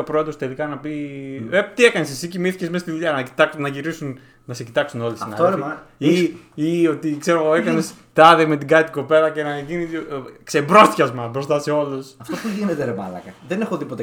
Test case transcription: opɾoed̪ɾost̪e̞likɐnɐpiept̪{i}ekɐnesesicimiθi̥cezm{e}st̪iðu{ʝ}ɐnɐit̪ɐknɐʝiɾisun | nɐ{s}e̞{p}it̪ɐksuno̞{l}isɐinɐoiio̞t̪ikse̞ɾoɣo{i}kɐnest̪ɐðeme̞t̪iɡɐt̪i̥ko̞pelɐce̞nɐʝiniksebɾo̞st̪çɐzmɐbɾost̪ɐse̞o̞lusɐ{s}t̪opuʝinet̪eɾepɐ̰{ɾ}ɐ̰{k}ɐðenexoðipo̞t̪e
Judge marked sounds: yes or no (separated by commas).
yes, yes, no, yes, no, yes, no, no, no, yes